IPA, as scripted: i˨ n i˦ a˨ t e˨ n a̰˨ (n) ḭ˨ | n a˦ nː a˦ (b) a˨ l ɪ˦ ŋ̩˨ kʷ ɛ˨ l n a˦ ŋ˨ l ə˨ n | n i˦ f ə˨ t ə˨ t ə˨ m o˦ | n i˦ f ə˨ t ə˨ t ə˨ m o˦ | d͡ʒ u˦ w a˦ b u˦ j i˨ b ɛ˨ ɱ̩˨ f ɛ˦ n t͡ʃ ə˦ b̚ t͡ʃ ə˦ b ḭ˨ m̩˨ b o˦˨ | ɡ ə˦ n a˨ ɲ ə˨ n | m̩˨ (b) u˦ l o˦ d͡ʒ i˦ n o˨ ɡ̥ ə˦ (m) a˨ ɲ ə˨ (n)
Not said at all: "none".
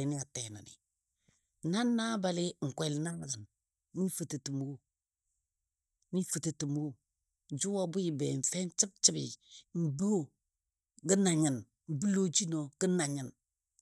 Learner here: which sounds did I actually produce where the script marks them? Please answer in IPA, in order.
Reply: n, b, b, n, n

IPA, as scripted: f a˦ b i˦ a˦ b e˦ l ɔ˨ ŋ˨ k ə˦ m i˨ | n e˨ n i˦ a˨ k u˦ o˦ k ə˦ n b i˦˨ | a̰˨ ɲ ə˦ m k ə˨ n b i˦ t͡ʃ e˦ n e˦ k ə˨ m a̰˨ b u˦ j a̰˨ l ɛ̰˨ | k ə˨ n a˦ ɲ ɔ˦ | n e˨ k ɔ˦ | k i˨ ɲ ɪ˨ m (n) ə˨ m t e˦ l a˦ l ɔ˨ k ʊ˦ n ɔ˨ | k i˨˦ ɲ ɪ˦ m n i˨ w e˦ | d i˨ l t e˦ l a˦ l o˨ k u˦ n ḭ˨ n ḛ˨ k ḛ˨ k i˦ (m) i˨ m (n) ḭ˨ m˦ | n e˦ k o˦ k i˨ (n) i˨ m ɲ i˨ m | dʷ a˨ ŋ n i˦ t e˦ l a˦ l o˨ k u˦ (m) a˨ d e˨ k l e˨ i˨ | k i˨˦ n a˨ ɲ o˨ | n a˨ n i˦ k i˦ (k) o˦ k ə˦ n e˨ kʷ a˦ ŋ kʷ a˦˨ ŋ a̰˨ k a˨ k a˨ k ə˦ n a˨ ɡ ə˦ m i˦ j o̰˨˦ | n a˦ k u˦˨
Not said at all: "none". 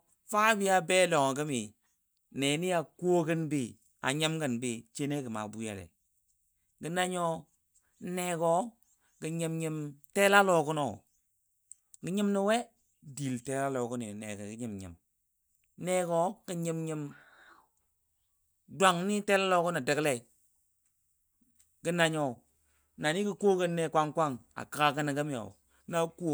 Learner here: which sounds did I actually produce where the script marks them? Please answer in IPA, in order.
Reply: ɲ, ɲ, ɲ, ɲ, n, k

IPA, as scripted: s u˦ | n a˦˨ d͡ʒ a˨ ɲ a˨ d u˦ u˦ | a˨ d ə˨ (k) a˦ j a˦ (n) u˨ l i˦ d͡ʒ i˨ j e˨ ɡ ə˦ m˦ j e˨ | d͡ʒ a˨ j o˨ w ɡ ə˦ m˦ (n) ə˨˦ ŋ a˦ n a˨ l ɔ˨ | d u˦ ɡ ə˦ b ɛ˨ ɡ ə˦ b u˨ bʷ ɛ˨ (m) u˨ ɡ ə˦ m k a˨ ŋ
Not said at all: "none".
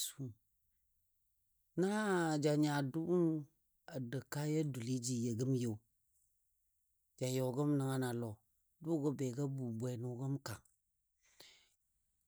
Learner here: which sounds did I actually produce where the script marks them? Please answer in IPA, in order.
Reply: k, d, n, n

